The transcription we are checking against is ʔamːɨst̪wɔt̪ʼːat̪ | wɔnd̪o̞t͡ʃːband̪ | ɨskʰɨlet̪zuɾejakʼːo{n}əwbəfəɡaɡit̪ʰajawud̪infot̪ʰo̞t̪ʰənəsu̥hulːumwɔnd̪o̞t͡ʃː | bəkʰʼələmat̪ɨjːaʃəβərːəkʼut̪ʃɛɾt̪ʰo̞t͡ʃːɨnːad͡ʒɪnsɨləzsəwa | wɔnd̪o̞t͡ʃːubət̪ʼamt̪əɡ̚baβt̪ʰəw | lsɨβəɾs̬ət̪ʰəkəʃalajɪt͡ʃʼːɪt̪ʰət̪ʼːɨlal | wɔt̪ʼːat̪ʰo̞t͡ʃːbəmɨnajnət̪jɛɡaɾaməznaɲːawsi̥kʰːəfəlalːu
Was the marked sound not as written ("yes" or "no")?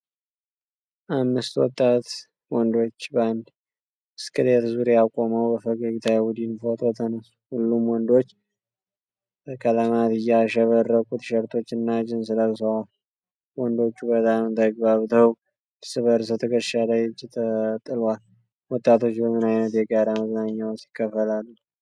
yes